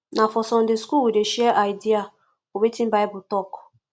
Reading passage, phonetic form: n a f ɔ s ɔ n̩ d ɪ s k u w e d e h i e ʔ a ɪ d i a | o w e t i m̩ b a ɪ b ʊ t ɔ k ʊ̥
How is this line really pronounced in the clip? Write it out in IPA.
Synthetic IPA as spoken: n a f ɔ s ɔ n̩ d ɪ s k u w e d e ʃ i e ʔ a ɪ d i a | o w e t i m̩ b a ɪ b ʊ t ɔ k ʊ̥